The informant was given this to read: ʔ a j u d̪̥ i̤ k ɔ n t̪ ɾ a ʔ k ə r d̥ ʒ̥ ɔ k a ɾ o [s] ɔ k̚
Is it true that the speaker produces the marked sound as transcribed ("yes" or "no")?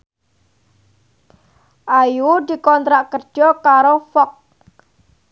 no